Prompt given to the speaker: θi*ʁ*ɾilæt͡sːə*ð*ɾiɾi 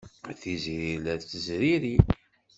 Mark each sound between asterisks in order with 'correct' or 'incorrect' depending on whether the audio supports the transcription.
incorrect: z, incorrect: z

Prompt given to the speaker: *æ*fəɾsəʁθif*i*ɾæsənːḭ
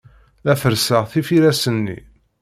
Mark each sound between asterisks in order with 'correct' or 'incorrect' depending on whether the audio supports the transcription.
correct, correct

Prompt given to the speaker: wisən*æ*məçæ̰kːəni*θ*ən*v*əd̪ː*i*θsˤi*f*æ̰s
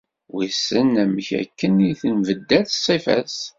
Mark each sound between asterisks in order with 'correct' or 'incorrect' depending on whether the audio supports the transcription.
correct, correct, correct, incorrect: æ, correct

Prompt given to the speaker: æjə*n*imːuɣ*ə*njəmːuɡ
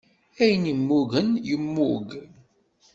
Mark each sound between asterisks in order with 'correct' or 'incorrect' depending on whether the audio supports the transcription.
correct, correct

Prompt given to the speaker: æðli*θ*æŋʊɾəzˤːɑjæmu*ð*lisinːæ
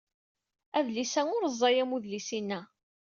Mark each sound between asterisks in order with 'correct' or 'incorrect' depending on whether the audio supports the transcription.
incorrect: s, correct

